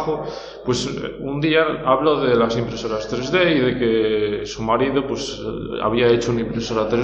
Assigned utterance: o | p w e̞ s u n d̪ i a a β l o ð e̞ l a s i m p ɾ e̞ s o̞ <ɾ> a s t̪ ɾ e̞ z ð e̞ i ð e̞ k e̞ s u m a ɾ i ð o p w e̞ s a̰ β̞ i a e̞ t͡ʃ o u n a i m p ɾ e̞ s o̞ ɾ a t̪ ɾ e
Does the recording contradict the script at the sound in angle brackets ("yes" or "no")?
no